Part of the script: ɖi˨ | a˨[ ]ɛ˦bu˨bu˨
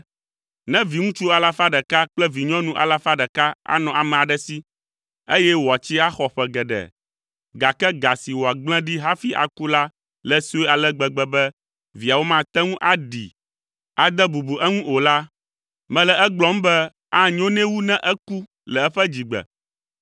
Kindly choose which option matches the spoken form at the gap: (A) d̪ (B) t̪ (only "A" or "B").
A